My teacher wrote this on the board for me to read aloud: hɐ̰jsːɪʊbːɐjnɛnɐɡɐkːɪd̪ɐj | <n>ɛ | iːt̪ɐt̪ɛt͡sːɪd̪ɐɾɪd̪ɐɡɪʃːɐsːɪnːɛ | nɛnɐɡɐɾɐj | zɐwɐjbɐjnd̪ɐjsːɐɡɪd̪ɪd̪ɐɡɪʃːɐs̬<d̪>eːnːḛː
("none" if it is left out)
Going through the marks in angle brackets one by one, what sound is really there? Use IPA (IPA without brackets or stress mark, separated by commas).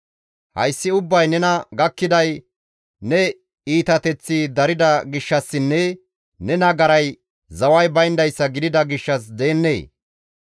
n, d̪